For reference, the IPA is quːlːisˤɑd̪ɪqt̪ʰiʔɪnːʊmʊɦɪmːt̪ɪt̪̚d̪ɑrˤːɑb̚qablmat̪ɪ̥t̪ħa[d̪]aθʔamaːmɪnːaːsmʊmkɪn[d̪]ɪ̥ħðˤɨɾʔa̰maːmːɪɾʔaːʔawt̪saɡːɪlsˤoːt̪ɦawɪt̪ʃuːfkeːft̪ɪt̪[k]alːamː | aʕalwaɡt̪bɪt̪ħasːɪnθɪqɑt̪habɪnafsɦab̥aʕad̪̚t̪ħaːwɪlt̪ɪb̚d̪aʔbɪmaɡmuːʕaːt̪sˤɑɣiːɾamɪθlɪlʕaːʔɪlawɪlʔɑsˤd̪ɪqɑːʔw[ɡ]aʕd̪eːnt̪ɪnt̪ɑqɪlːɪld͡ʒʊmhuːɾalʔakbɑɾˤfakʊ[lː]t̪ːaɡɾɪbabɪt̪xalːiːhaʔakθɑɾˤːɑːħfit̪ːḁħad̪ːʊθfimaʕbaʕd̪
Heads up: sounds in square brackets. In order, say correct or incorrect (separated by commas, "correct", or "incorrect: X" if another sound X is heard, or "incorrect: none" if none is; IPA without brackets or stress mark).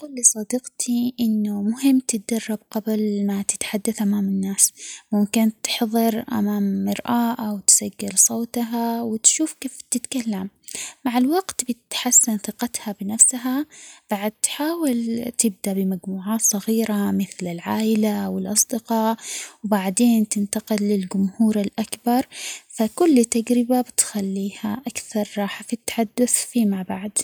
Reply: incorrect: d̪ː, incorrect: t̪, correct, incorrect: b, correct